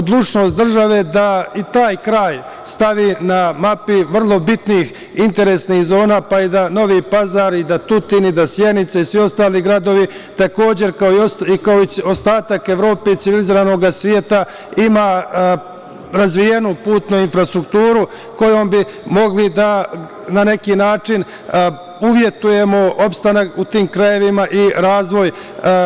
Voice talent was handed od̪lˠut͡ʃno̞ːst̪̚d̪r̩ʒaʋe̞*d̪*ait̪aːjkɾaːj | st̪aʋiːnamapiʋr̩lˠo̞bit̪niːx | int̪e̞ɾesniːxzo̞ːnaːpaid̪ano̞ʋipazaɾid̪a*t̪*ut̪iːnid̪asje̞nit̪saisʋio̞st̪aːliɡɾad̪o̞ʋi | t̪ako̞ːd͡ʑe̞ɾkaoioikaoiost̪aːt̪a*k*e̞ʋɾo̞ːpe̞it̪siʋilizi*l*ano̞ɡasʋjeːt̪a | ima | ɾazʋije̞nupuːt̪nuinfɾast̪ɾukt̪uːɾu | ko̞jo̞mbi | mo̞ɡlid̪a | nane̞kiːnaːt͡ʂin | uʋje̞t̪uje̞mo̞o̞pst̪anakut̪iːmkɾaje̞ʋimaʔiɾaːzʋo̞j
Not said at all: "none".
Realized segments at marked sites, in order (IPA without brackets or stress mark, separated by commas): d̪, t̪, k, ɾ